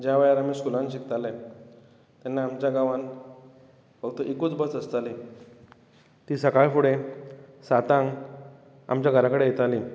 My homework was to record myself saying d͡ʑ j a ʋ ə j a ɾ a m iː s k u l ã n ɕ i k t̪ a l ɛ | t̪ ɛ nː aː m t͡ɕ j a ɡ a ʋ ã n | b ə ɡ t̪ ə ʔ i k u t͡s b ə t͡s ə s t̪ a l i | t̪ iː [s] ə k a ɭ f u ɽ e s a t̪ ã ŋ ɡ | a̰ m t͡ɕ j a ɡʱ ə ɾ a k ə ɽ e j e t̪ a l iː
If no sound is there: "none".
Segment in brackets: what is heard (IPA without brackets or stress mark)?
s